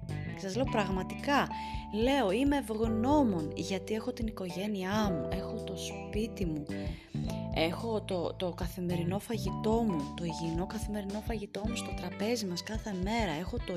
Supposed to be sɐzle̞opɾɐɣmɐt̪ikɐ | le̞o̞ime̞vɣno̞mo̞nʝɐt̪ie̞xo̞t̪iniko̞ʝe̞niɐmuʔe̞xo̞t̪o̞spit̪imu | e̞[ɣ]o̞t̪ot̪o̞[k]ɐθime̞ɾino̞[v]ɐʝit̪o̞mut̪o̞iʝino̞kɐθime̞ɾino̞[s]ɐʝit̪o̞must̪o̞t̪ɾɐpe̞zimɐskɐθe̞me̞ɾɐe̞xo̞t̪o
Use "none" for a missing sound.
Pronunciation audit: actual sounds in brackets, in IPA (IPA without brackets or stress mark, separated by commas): x, k, f, f